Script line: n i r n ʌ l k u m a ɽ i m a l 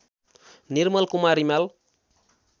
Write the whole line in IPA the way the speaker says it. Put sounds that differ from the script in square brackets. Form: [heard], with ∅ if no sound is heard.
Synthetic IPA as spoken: n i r [m] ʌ l k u m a [ɾ] i m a l